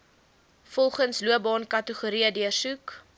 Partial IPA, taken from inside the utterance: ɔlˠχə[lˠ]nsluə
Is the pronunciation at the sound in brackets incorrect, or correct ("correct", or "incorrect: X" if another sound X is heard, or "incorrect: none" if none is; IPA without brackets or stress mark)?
incorrect: none